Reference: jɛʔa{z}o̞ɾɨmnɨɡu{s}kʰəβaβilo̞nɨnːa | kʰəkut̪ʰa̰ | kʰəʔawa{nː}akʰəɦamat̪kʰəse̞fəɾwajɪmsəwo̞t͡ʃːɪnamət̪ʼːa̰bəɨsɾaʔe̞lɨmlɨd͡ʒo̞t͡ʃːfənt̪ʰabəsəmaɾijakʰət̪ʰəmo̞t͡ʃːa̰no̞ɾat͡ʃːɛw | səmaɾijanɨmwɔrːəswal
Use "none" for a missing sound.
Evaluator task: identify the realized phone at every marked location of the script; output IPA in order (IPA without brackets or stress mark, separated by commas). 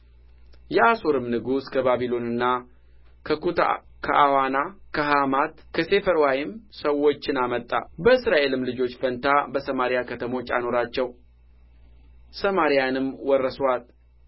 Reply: s, s, n